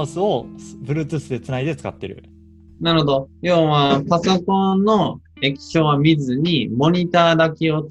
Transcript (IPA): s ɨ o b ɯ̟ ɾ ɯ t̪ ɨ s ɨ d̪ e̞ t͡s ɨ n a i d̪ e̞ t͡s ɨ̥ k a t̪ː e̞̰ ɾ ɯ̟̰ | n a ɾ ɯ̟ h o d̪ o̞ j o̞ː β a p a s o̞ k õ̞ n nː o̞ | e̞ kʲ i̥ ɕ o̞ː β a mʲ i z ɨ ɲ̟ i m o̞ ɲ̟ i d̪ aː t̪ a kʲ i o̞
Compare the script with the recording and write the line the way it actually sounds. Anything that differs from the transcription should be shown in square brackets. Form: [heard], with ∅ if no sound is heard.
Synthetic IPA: s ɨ o b ɯ̟ ɾ ɯ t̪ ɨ s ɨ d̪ e̞ t͡s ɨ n a i d̪ e̞ t͡s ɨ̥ k a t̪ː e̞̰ ɾ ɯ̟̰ | n a ɾ ɯ̟ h o d̪ o̞ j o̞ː β a p a s o̞ k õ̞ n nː o̞ | e̞ kʲ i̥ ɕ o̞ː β a mʲ i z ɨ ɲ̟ i m o̞ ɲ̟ i [t̪] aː [d̪] a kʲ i o̞